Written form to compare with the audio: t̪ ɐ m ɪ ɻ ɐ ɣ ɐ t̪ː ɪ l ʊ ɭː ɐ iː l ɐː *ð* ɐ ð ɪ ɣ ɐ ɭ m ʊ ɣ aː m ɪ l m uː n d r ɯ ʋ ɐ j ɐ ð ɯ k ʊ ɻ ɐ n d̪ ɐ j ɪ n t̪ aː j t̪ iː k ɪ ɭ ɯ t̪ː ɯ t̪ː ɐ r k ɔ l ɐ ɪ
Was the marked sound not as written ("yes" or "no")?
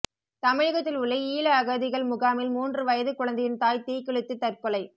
yes